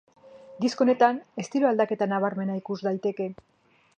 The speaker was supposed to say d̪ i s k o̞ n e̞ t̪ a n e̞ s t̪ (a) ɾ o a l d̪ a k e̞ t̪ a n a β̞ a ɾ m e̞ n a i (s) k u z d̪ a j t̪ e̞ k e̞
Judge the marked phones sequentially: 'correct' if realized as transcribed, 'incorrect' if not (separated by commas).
incorrect, incorrect